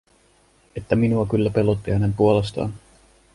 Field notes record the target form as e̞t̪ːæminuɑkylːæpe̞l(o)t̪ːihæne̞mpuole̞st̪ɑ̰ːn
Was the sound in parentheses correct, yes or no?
yes